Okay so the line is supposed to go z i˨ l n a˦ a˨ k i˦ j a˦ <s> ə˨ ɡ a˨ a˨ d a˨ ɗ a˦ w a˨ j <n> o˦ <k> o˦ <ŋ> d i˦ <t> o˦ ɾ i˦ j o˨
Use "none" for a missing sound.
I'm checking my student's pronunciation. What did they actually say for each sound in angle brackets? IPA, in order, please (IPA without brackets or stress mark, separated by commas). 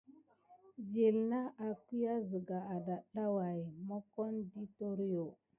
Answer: z, m, k, n, t